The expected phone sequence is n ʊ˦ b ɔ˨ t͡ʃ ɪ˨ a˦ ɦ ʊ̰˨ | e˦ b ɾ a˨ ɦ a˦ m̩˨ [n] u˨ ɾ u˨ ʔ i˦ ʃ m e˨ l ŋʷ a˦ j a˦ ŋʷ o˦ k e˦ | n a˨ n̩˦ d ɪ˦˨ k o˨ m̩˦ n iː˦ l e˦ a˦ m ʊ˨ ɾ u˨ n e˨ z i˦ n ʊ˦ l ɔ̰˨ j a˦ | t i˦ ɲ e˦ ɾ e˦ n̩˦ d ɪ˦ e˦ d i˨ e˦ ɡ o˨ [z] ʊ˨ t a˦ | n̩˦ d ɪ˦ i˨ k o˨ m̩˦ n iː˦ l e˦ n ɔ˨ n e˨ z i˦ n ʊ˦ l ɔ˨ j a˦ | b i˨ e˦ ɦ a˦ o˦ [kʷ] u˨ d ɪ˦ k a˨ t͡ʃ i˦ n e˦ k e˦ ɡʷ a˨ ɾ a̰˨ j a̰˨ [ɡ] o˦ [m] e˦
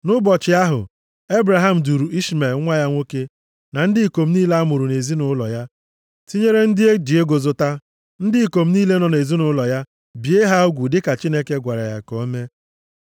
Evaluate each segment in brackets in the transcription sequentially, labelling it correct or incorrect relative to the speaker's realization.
incorrect: d, correct, incorrect: ɡʷ, incorrect: k, correct

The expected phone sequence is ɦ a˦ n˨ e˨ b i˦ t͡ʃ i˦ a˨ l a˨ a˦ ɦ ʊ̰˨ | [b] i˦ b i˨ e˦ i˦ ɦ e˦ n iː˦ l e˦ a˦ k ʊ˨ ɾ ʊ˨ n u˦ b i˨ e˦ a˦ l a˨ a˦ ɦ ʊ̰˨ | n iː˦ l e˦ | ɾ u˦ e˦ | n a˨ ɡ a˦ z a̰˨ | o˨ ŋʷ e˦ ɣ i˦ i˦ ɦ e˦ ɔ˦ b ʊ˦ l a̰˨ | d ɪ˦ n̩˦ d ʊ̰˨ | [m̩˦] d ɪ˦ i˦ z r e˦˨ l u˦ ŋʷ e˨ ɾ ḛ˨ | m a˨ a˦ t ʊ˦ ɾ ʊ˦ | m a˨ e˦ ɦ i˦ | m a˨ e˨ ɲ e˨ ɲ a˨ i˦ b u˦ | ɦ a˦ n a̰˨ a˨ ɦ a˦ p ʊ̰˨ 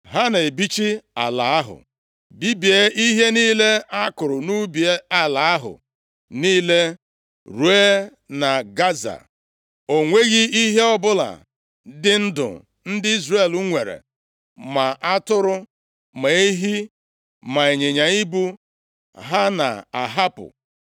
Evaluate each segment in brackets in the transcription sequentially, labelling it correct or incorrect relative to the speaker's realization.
correct, incorrect: n̩˦

